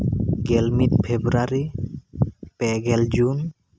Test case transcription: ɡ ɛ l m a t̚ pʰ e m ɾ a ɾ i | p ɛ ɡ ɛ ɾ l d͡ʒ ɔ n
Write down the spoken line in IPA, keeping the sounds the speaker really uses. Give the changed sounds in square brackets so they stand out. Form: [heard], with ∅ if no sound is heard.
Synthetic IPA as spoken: ɡ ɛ l m [i] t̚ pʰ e [b] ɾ a ɾ i | p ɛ ɡ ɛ [∅] l d͡ʒ [u] n